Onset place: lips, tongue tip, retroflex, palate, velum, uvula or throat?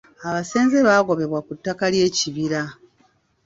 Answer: lips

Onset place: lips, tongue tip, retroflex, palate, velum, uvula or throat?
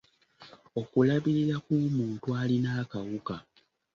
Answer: velum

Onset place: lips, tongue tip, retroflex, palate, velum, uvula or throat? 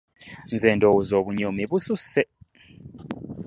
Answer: tongue tip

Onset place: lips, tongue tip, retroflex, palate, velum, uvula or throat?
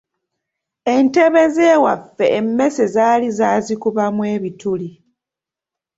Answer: tongue tip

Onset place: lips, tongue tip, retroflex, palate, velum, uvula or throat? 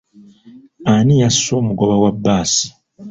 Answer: tongue tip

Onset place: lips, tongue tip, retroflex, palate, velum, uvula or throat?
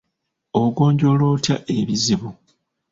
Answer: velum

